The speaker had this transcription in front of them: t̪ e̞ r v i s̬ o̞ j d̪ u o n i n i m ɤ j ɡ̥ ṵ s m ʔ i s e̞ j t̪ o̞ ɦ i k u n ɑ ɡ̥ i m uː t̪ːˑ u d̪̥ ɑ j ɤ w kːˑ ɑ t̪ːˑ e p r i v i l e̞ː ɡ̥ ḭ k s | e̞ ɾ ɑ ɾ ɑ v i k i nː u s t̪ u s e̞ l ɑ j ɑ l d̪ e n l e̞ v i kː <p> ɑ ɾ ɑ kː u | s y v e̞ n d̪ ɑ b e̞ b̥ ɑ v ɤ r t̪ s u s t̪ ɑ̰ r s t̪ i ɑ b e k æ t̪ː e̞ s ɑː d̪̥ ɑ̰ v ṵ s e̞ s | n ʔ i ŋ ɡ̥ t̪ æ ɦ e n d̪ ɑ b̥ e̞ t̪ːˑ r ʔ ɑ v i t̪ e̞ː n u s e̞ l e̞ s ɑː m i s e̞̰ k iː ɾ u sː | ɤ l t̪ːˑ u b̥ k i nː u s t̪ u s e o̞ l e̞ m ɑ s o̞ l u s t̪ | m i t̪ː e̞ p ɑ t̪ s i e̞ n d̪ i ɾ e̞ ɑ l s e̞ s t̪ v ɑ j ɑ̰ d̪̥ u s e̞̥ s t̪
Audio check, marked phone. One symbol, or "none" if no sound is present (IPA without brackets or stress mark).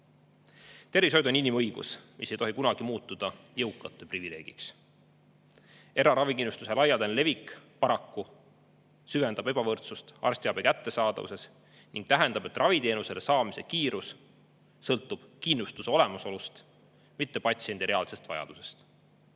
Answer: p